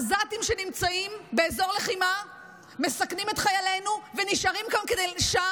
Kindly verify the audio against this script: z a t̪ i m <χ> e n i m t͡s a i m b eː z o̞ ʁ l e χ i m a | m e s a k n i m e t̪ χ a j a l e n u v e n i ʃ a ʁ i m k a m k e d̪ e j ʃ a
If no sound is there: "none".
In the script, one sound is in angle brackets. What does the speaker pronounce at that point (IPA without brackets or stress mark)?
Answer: ʃ